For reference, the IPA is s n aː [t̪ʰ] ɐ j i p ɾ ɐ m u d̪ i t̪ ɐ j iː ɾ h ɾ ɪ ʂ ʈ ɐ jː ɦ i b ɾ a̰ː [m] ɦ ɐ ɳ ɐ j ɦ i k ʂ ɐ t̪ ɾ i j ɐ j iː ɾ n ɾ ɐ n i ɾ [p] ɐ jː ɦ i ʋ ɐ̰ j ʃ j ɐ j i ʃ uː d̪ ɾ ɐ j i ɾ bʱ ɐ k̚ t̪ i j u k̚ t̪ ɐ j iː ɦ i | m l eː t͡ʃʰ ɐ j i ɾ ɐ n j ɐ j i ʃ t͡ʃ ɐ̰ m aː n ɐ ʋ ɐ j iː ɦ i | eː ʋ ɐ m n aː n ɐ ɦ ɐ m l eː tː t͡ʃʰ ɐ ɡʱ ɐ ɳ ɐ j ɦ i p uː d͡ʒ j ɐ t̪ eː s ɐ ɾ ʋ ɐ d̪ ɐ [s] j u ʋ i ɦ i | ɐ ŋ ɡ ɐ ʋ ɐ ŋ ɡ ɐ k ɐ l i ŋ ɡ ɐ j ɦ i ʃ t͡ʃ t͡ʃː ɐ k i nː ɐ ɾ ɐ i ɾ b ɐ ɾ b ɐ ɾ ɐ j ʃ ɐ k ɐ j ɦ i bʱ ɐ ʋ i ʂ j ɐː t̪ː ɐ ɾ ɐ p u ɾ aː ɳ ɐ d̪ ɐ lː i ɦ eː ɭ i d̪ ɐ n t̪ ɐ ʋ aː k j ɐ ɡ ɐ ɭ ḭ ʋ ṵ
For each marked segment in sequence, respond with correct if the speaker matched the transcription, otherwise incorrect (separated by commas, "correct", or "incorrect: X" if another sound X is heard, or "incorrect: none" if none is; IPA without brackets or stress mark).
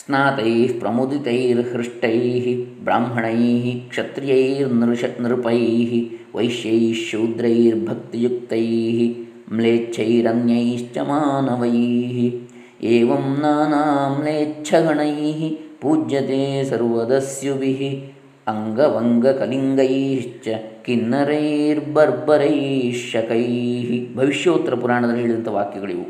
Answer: incorrect: t̪, correct, correct, correct